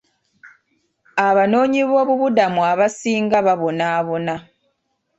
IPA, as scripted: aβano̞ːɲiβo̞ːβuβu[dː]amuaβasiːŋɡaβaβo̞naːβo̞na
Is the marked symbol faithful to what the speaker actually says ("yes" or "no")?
no